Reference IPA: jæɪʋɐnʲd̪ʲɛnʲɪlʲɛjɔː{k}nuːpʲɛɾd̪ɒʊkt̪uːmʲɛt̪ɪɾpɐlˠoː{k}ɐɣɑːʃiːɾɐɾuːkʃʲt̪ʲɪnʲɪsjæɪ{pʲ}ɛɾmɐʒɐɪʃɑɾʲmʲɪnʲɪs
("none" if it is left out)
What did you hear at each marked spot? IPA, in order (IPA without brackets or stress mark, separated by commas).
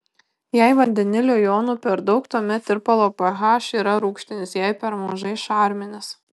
none, p, pʲ